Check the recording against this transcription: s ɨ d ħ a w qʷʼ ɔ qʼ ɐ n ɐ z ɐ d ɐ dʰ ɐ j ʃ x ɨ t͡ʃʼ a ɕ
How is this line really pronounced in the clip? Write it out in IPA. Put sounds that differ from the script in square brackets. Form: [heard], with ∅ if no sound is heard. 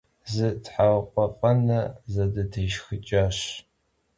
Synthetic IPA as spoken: [z] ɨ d ħ a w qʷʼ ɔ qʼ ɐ n ɐ z ɐ d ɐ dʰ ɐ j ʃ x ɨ t͡ʃʼ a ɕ